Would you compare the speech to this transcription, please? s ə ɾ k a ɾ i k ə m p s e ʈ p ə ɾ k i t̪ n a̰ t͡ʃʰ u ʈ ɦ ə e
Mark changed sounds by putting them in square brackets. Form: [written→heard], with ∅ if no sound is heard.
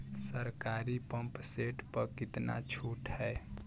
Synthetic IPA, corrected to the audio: s ə ɾ k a ɾ i [k→p] ə m p s e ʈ p ə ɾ k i t̪ n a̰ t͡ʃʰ u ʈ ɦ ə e